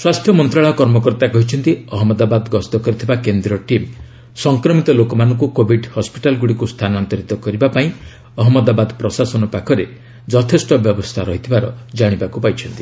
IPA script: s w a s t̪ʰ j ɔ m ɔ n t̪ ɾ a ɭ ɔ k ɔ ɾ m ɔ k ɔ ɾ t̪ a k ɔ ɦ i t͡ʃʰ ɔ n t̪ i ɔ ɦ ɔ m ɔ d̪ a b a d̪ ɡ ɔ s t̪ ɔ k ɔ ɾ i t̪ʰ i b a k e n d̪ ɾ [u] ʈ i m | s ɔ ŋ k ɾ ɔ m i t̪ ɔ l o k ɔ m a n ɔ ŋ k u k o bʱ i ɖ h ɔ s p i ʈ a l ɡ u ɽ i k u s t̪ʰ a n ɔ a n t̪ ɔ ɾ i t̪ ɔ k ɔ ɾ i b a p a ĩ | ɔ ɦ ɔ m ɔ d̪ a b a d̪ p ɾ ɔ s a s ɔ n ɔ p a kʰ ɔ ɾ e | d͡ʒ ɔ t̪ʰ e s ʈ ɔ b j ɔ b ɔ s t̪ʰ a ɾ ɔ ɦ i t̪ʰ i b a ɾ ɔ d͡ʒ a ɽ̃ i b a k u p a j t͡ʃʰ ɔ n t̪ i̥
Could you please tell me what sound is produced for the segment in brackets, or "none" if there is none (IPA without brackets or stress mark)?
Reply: ɔ